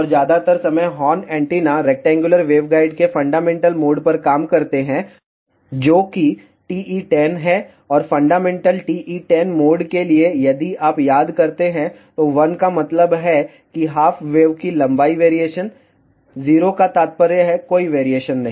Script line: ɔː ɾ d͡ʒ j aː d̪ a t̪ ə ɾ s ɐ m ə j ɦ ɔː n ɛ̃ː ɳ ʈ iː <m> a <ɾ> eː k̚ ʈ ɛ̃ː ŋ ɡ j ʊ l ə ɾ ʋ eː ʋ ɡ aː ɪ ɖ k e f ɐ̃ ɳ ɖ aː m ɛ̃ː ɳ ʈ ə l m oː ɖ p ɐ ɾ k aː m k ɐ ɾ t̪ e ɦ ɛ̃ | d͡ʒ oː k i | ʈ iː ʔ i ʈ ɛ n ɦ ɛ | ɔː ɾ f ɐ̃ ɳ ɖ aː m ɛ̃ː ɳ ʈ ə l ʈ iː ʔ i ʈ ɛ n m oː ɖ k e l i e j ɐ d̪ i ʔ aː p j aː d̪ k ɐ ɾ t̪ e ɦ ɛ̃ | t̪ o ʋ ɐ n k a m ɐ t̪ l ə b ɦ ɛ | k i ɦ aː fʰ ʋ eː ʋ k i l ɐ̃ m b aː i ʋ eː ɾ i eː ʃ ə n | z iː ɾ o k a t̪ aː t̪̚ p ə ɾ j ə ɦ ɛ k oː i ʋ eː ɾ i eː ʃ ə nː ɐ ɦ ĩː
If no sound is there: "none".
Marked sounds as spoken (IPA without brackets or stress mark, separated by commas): n, ɾ